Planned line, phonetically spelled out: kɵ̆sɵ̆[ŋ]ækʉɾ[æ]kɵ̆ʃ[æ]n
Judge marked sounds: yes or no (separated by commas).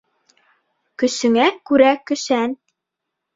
yes, yes, yes